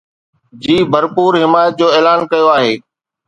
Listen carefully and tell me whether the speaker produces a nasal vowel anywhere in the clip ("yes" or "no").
no